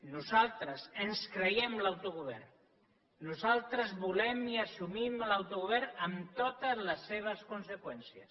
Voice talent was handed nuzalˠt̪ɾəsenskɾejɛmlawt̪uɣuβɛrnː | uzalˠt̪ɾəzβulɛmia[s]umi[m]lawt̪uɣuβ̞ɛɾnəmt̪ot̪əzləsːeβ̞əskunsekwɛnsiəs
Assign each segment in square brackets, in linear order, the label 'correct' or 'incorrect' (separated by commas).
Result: correct, correct